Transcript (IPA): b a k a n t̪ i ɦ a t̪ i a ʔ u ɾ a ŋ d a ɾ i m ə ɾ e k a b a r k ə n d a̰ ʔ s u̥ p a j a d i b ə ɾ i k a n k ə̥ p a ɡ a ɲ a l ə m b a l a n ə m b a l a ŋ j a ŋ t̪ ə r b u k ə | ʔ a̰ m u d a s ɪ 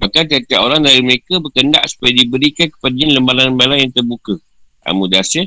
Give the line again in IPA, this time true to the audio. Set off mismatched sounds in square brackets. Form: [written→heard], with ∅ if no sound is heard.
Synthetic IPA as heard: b a k a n t̪ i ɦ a t̪ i a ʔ [u→o] ɾ a ŋ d a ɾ i m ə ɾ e k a b [a→ə] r k ə n d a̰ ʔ s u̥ p a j a d i b ə ɾ i k a n k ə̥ p a [ɡ→d] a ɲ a l ə m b a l a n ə m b a l a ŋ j a ŋ t̪ ə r b u k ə | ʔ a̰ m u d a s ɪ